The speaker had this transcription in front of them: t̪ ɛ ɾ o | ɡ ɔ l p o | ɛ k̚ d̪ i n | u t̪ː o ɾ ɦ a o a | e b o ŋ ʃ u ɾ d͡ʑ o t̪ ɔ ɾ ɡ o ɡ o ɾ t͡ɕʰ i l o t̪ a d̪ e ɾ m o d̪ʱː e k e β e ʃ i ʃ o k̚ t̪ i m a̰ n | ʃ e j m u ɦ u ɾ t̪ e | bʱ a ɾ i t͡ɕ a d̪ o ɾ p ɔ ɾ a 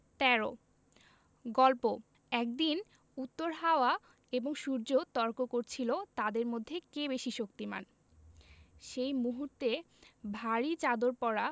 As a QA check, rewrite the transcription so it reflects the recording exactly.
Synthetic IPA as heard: t̪ ɛ ɾ o | ɡ ɔ l p o | ɛ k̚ d̪ i n | u t̪ː o ɾ ɦ a o a | e b o ŋ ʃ u ɾ d͡ʑ o t̪ ɔ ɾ k o k o ɾ t͡ɕʰ i l o t̪ a d̪ e ɾ m o d̪ʱː e k e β e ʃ i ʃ o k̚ t̪ i m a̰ n | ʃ e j m u ɦ u ɾ t̪ e | bʱ a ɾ i t͡ɕ a d̪ o ɾ p ɔ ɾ a